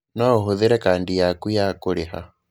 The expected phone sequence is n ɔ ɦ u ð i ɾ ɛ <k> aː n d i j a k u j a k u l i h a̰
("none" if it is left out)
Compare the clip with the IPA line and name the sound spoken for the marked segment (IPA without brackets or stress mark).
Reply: k